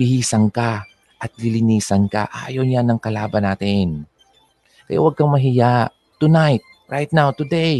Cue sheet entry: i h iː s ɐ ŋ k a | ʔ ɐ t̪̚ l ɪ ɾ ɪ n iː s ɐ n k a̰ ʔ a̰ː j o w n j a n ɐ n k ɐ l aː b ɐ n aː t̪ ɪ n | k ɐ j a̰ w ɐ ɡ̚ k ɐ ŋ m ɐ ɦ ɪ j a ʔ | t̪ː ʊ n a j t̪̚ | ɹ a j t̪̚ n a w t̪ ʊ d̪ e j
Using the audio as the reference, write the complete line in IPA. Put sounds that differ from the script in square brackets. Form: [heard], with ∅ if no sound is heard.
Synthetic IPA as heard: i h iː s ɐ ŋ k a | ʔ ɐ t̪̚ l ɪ [l] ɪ n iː s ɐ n k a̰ ʔ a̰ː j o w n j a n ɐ [ŋ] k ɐ l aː b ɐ n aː t̪ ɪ n | k ɐ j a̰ w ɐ ɡ̚ k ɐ ŋ m ɐ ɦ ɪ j a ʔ | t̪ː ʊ n a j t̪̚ | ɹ a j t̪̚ n a w t̪ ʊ d̪ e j